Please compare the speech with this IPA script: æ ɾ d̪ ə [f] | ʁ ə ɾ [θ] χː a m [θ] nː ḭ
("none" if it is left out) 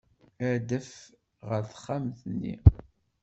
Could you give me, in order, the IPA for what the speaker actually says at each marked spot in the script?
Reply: f, θ, θ

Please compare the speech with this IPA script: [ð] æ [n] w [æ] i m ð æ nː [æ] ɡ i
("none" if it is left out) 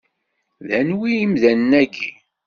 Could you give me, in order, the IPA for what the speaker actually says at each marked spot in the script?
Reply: ð, n, i, æ

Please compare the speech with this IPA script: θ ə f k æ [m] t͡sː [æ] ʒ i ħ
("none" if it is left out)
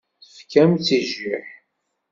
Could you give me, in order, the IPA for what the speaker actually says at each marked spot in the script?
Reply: m, i

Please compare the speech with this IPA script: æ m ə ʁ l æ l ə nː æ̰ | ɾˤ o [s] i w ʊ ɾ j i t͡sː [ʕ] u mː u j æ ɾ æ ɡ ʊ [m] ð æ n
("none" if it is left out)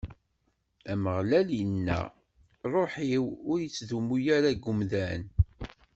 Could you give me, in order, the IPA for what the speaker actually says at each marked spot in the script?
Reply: ħ, ð, m

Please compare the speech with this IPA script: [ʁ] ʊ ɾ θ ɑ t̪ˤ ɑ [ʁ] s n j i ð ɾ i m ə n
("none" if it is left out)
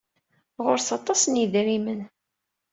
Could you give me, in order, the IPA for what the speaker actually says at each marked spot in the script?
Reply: ʁ, none

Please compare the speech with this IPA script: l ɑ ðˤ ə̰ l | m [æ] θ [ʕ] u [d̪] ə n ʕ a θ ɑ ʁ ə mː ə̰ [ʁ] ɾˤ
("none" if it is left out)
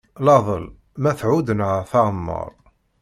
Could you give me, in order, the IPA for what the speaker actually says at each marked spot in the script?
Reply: æ, ʕ, d̪, none

